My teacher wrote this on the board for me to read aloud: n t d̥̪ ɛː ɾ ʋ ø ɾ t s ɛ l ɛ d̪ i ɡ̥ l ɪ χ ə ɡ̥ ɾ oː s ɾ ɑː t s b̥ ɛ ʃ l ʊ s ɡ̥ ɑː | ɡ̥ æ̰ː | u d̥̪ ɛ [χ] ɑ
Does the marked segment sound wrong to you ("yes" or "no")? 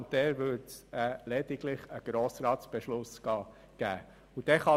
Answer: no